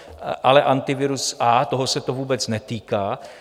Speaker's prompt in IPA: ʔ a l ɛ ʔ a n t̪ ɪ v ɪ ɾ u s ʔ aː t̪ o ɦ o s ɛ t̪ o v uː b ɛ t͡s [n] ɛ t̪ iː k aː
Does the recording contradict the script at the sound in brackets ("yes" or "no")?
no